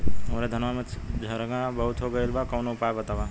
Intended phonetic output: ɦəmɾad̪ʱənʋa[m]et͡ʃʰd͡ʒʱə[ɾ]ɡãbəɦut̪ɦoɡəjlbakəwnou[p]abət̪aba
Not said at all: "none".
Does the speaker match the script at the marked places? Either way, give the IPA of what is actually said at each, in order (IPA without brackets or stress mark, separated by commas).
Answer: m, ɾ, p